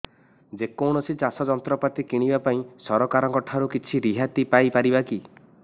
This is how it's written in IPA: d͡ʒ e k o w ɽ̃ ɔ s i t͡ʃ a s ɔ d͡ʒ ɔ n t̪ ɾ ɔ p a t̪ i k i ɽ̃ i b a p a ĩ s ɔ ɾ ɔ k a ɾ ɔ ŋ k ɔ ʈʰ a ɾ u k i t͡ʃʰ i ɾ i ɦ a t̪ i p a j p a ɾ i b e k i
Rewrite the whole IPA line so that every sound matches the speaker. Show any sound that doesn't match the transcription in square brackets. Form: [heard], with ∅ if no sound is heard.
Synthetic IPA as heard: d͡ʒ e k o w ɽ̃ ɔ s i t͡ʃ a s ɔ d͡ʒ ɔ n t̪ ɾ ɔ p a t̪ i k i ɽ̃ i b a p a ĩ s ɔ ɾ ɔ k a ɾ ɔ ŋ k ɔ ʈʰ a ɾ u k i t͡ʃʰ i ɾ i ɦ a t̪ i p a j p a ɾ i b [a] k i